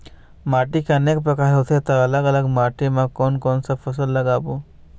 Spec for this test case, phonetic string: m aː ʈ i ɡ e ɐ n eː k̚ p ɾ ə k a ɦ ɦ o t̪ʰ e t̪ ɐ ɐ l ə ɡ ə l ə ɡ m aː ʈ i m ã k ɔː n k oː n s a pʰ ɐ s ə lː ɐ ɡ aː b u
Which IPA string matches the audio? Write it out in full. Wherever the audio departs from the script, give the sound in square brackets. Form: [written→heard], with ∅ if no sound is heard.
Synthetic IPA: m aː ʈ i [ɡ→k] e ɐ n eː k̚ p ɾ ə k a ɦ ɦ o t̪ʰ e t̪ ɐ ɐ l ə ɡ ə l ə ɡ m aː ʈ i m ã k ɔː n k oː n s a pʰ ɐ s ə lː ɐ ɡ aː b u